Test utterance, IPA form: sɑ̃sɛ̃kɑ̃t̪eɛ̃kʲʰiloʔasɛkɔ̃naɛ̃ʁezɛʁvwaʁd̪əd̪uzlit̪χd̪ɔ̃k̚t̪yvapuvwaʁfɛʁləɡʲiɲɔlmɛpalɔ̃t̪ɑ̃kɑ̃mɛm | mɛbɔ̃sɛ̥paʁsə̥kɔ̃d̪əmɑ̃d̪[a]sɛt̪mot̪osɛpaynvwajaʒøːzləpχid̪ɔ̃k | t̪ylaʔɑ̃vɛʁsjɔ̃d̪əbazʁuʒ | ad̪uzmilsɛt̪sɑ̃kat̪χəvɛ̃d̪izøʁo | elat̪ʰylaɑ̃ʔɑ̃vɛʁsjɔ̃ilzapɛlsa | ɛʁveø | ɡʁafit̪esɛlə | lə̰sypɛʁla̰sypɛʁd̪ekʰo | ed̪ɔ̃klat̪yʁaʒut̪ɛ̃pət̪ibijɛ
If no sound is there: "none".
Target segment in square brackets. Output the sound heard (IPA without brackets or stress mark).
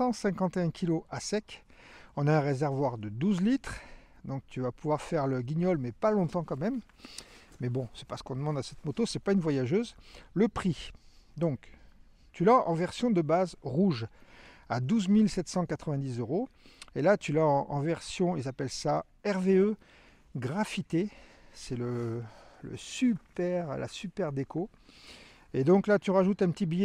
a